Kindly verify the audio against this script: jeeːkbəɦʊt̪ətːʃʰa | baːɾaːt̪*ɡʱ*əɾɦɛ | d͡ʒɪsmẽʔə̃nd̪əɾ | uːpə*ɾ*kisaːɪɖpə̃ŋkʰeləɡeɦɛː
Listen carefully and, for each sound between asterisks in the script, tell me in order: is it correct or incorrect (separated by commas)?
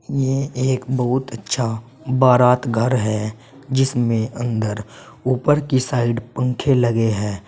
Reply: correct, correct